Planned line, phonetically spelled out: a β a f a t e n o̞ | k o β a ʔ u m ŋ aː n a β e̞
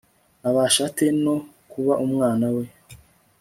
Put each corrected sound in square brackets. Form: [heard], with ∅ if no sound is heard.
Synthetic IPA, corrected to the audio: a β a [ʃ] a t e n o̞ | k [u] β a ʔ u m ŋ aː n a [w] e̞